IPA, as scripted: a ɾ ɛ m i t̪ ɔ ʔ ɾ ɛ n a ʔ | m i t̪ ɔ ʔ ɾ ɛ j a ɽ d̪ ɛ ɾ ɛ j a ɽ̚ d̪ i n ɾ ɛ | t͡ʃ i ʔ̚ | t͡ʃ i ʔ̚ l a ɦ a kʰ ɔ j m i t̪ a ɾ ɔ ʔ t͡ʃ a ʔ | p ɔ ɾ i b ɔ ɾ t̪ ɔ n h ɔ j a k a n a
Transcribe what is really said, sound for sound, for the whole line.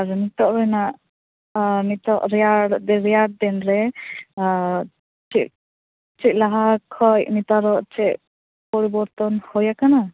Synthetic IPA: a ɾ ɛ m i t̪ ɔ ʔ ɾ ɛ n a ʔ | m i t̪ ɔ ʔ ɾ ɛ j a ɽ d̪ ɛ ɾ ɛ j a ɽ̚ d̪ ɛ n ɾ ɛ | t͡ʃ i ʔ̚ | t͡ʃ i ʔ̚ l a ɦ a kʰ ɔ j m i t̪ a ɾ ɔ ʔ t͡ʃ ɛ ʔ | p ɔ ɾ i b ɔ ɾ t̪ ɔ n h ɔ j a k a n a